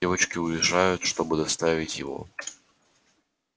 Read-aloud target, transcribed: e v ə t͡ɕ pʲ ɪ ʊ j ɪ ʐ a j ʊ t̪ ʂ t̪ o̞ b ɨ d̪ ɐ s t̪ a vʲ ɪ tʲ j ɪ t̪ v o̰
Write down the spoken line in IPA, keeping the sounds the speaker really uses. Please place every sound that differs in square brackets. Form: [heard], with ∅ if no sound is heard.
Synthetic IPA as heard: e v ə t͡ɕ [kʲ] ɪ ʊ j ɪ ʐ a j ʊ t̪ ʂ t̪ o̞ b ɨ d̪ ɐ s t̪ a vʲ ɪ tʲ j ɪ [∅] v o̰